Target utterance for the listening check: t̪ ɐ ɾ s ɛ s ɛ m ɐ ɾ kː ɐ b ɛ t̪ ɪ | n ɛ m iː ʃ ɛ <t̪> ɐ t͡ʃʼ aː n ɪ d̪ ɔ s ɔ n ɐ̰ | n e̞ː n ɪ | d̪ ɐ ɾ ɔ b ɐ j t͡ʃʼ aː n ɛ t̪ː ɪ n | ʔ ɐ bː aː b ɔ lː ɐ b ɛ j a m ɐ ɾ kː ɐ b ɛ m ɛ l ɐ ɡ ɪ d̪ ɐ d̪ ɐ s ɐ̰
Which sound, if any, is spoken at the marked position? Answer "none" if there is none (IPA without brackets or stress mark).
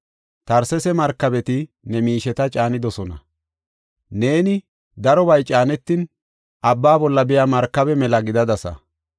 t̪